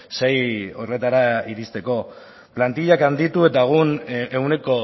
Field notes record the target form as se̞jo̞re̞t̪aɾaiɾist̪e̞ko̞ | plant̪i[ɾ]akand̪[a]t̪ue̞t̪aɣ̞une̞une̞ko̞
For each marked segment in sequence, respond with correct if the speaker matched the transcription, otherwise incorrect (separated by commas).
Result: incorrect, incorrect